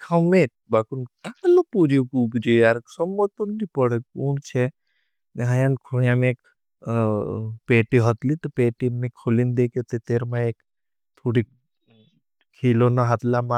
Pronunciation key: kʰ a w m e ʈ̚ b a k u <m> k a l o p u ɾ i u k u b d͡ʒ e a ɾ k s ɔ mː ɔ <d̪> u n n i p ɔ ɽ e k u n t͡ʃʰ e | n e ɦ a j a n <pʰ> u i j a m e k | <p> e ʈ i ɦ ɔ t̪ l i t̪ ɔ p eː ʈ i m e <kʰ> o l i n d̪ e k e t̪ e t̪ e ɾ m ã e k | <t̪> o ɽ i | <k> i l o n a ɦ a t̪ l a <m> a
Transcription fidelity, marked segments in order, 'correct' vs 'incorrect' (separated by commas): incorrect, incorrect, incorrect, correct, correct, incorrect, incorrect, correct